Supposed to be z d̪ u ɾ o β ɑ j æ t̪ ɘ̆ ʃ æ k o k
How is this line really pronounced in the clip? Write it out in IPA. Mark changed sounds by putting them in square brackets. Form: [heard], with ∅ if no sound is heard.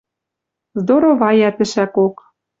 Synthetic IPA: z d̪ [o] ɾ o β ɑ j æ t̪ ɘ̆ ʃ æ k o k